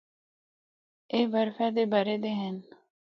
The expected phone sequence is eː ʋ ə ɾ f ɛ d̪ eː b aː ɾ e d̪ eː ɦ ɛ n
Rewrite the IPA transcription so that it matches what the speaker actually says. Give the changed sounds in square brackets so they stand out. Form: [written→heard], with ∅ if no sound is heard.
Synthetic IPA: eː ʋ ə ɾ f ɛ d̪ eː b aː ɾ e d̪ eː ɦ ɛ n